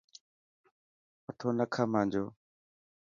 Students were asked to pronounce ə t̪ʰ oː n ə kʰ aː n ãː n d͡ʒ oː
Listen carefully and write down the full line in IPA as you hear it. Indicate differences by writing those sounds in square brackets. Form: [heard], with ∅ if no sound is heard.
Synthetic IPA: ə t̪ʰ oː n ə kʰ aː [m] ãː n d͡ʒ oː